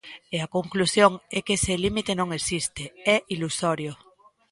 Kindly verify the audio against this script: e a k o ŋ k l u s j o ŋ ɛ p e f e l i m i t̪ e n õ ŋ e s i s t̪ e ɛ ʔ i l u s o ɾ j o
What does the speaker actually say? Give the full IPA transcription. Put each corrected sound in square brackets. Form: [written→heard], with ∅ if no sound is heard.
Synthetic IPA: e a k o ŋ k l u s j o ŋ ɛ [p→k] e [f→s] e l i m i t̪ e n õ ŋ e s i s t̪ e ɛ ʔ i l u s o ɾ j o